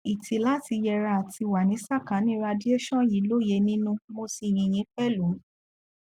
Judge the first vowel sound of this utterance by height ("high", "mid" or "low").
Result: high